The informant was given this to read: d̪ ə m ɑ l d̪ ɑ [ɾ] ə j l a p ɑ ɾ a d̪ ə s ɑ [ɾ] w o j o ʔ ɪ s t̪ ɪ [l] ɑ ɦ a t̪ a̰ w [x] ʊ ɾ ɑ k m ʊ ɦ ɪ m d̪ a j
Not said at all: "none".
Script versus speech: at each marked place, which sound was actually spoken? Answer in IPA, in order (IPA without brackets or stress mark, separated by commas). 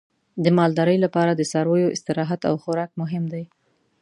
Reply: ɾ, ɾ, ɾ, x